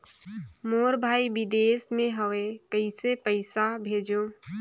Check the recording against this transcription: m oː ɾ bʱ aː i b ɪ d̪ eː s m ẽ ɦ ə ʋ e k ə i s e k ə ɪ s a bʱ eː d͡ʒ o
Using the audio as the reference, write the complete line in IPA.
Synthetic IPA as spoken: m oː ɾ bʱ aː i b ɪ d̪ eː s m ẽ ɦ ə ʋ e k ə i s e p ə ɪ s a bʱ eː d͡ʒ o